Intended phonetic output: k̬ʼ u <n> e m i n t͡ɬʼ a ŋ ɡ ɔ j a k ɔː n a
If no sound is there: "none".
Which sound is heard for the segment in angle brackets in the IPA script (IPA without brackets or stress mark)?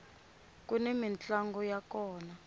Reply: n